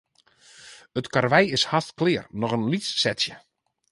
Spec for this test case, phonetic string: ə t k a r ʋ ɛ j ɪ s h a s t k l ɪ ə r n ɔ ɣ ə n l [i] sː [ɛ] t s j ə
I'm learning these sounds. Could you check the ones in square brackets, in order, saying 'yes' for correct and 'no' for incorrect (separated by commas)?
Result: yes, yes